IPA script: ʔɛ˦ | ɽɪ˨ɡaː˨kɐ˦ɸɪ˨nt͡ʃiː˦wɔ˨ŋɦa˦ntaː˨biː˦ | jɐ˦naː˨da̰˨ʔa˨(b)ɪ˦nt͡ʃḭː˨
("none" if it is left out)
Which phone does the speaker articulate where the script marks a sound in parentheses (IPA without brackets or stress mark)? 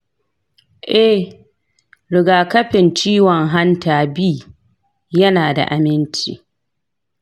m